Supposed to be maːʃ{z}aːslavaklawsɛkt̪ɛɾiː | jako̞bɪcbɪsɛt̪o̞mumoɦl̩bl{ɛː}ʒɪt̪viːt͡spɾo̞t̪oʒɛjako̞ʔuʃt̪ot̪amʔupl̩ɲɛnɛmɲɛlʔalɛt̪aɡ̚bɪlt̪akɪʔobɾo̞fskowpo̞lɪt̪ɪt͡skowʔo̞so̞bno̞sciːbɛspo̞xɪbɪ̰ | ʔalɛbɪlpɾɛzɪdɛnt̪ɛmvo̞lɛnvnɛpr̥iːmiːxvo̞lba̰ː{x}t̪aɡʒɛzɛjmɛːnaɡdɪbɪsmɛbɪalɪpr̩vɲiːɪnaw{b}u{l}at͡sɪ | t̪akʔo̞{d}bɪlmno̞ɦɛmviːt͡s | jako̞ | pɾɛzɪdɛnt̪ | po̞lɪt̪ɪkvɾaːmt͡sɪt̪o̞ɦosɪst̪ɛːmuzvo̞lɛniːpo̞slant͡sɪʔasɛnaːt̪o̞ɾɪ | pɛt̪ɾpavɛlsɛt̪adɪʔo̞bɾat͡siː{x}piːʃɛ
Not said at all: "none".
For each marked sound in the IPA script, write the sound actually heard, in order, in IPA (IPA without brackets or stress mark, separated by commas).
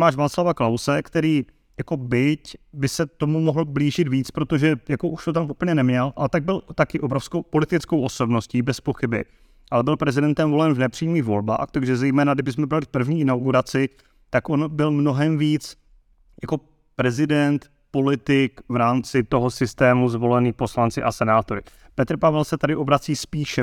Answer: v, iː, x, ɡ, ɾ, n, s